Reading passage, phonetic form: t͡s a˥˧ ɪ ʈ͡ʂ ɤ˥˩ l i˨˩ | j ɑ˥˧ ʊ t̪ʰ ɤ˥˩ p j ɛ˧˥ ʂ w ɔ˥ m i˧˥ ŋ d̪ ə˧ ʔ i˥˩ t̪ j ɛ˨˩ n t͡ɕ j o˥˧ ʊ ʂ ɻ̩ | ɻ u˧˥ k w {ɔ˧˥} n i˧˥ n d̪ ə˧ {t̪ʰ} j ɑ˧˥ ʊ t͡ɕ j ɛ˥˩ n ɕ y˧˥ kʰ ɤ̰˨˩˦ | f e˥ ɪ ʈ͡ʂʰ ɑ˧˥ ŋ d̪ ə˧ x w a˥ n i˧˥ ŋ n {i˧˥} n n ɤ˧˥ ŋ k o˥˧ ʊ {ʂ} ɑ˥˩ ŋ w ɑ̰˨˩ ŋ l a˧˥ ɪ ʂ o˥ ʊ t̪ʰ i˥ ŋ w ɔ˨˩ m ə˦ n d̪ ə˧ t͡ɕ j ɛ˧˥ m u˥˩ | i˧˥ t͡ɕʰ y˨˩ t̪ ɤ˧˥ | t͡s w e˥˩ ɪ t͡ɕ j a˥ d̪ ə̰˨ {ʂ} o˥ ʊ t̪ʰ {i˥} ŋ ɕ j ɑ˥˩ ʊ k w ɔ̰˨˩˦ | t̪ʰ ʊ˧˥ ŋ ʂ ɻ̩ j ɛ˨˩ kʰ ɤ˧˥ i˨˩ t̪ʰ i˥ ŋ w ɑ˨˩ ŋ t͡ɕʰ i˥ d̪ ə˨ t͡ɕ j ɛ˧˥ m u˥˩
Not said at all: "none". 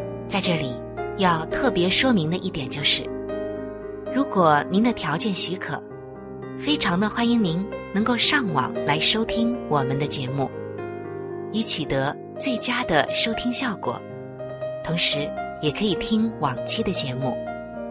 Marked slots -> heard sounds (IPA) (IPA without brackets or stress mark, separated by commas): ɔ˨˩, t̪ʰ, i˧˥, ʂ, ʂ, i˥